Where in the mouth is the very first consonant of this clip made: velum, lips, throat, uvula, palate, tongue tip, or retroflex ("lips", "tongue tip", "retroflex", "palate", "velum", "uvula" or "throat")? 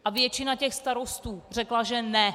throat